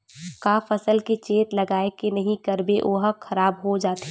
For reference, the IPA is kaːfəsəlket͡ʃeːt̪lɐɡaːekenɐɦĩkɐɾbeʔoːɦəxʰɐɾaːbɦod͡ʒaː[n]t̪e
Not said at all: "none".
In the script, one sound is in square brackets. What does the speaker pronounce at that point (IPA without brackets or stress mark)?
none